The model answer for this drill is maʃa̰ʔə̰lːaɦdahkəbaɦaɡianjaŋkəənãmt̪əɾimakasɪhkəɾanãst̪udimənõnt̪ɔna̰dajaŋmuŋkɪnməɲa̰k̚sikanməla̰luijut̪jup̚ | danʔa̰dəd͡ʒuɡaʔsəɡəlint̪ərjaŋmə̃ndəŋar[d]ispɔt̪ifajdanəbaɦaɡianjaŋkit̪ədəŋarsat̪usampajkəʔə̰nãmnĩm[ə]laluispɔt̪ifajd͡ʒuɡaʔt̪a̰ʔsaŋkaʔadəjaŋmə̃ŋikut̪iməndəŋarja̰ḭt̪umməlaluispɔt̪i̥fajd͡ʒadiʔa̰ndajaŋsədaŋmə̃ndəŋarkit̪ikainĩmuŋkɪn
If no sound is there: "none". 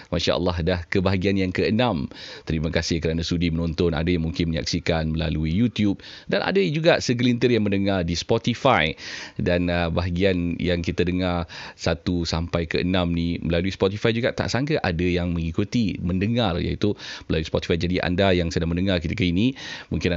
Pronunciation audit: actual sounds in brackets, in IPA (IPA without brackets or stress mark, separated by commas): d, ə